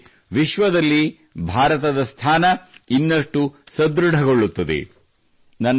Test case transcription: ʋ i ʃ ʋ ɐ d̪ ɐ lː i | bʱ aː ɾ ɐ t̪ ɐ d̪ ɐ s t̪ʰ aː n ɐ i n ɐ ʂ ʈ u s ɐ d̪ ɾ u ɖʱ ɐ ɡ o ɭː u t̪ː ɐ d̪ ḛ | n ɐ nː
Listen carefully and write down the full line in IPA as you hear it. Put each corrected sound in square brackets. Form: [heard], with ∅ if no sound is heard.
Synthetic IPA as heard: ʋ i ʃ ʋ ɐ d̪ ɐ lː i | bʱ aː ɾ ɐ t̪ ɐ d̪ ɐ s t̪ʰ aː n ɐ i [nː] ɐ ʂ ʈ u s ɐ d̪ ɾ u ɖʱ ɐ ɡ o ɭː u t̪ː ɐ d̪ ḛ | n ɐ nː